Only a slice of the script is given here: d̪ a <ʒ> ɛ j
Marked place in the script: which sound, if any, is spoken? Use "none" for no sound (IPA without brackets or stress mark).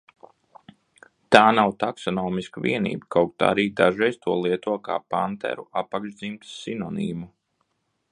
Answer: ʒ